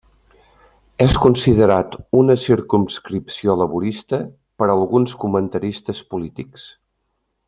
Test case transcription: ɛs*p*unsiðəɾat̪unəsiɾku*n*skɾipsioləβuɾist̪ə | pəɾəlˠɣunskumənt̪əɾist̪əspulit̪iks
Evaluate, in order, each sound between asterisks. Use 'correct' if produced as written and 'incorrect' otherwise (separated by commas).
incorrect, incorrect